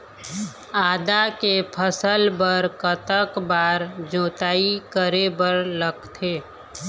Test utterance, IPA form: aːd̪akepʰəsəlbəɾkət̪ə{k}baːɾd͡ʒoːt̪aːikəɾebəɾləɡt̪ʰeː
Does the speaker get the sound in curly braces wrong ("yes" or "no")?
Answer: no